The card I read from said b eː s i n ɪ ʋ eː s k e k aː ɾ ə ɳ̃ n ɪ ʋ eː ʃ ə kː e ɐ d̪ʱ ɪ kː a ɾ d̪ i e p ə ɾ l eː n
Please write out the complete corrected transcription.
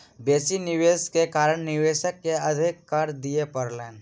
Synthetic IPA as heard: b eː s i n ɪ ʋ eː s k e k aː ɾ ə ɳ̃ n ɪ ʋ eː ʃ ə kː e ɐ d̪ʱ ɪ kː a ɾ d̪ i e p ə ɾ l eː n